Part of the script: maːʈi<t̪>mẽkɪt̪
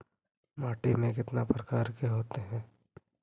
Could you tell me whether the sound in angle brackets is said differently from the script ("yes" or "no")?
yes